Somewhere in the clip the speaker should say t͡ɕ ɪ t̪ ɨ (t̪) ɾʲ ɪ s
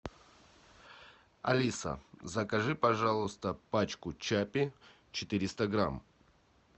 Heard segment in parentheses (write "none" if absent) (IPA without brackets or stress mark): none